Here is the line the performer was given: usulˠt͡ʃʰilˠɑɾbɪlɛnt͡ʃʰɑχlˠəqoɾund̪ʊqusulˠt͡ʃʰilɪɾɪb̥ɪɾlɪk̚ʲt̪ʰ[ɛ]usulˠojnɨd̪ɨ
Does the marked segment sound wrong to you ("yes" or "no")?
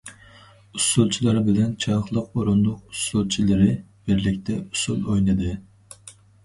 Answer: no